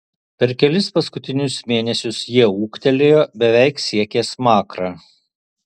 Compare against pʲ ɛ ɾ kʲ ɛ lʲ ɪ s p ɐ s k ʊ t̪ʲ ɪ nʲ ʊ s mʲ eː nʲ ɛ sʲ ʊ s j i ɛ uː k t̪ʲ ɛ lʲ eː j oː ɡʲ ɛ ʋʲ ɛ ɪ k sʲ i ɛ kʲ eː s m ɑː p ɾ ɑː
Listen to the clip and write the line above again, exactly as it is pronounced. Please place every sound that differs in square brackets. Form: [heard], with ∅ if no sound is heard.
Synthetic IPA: pʲ ɛ ɾ kʲ ɛ lʲ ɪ s p ɐ s k ʊ t̪ʲ ɪ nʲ ʊ s mʲ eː nʲ ɛ sʲ ʊ s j i ɛ uː k t̪ʲ ɛ lʲ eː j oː [bʲ] ɛ ʋʲ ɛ ɪ k sʲ i ɛ kʲ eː s m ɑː [k] ɾ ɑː